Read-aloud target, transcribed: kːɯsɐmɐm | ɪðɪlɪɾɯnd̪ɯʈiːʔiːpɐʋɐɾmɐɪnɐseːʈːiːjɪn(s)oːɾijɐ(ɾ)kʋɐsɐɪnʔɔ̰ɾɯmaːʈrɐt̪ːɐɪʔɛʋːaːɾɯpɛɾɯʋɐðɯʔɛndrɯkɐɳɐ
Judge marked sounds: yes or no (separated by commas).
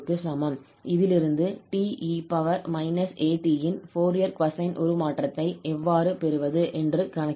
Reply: no, yes